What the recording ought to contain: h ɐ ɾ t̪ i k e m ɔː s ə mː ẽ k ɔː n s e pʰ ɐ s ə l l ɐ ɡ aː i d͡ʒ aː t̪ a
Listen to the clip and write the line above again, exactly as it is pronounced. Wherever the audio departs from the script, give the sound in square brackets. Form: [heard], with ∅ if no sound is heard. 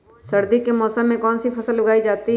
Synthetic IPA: [s] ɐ ɾ [d̪] i k e m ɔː s ə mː ẽ k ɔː n s [i] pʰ ɐ s ə l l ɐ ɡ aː i d͡ʒ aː t̪ [i]